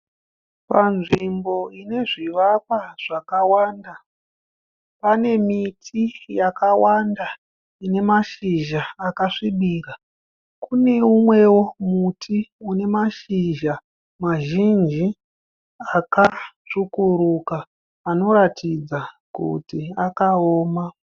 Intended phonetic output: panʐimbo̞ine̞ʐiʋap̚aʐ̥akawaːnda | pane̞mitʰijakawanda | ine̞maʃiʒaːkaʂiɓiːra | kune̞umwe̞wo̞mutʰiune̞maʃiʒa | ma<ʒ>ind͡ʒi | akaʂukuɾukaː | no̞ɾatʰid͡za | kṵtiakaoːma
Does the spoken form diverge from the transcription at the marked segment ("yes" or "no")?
no